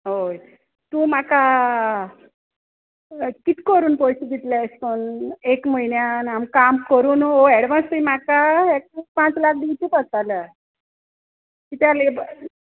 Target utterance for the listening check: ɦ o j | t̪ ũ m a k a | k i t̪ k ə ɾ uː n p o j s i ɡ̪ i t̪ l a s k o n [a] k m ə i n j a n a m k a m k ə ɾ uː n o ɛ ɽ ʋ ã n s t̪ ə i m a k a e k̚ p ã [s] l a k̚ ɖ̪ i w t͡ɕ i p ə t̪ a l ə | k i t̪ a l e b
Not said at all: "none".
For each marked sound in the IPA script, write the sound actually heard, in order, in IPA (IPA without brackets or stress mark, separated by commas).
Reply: e, t͡s